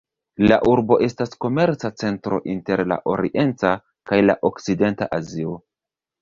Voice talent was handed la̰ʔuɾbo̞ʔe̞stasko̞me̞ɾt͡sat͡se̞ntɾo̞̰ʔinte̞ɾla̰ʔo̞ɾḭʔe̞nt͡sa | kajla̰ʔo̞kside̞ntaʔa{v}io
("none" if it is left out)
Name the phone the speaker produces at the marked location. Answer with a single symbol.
z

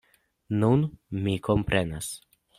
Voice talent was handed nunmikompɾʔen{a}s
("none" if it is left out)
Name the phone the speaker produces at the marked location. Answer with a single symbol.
a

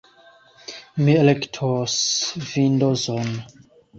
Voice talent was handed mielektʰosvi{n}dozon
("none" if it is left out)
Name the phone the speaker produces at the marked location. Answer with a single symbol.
n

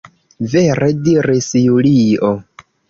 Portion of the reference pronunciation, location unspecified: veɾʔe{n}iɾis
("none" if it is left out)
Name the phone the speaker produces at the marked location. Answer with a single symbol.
d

